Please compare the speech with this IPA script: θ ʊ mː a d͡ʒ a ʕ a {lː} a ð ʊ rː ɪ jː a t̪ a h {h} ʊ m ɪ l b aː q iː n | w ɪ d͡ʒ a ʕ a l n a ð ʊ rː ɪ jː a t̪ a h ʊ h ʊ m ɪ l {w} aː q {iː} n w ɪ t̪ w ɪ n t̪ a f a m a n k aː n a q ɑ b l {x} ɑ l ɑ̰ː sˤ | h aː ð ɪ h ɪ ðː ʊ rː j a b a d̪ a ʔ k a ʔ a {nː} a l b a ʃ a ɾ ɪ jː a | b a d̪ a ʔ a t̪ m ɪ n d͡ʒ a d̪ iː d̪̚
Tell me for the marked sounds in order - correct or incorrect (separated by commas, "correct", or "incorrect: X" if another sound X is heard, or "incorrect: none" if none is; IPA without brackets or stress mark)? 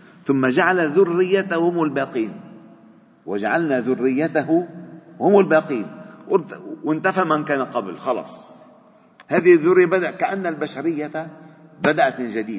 incorrect: l, correct, incorrect: b, correct, correct, correct